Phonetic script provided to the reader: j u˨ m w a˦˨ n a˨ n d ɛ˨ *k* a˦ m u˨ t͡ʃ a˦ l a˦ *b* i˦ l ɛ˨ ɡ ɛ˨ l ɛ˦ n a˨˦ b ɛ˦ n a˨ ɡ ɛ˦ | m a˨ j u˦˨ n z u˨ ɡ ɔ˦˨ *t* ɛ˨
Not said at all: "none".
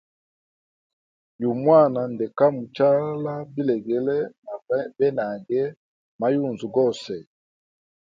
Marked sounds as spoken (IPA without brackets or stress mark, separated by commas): k, b, s